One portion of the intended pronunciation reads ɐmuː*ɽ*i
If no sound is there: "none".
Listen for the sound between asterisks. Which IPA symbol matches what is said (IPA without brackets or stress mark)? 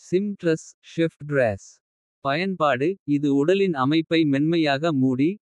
ɽ